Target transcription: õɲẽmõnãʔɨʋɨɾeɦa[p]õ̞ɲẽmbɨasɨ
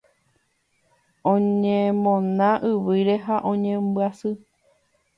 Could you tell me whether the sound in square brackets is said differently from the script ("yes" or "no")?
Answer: yes